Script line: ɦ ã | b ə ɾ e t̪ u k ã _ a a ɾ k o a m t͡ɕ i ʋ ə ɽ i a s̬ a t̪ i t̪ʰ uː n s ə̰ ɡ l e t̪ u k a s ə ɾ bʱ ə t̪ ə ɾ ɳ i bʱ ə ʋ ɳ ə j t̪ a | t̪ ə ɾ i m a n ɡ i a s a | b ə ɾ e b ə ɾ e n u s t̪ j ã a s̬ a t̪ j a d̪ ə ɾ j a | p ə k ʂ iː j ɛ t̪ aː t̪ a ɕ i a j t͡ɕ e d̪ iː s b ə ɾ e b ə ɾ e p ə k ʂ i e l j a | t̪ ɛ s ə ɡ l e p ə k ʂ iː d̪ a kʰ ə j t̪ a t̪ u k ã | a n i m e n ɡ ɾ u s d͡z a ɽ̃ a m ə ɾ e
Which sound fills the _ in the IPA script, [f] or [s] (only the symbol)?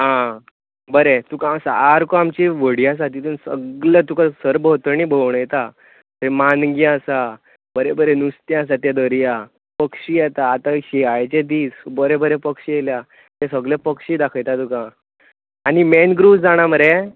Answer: s